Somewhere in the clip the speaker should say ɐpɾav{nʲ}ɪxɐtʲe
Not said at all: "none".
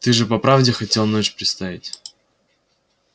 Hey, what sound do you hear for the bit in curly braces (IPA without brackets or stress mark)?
dʲ